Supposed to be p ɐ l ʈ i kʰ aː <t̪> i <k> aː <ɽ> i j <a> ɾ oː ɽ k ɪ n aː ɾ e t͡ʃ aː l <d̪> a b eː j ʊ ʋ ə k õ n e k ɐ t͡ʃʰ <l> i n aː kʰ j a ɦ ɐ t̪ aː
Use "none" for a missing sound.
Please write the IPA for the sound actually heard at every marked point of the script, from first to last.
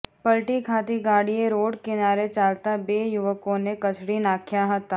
t̪, ɡ, ɽ, e, t̪, ɽ

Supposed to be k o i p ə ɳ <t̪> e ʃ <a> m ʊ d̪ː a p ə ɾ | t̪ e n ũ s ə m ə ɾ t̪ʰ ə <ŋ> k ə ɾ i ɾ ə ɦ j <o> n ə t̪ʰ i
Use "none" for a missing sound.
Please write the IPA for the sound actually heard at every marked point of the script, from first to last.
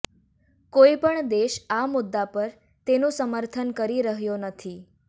d̪, a, n, o

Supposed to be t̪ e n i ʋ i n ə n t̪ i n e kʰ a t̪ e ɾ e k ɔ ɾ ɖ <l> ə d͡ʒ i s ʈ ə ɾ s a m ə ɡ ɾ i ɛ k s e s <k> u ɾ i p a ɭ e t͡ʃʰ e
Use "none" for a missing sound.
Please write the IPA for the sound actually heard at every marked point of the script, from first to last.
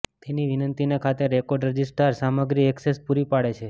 ɾ, p

